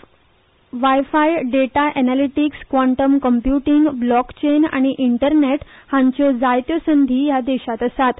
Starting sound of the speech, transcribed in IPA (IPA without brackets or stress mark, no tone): ʋ